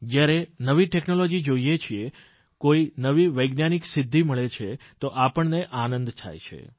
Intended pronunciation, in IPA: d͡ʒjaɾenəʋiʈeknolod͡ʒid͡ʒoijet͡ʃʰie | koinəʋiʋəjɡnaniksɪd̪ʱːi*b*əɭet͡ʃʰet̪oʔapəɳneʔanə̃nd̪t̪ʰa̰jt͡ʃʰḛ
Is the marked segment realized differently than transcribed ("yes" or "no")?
yes